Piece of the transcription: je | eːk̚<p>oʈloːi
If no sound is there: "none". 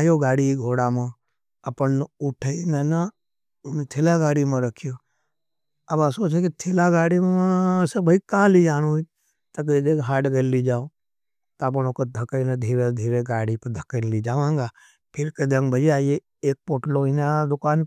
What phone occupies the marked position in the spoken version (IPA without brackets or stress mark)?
p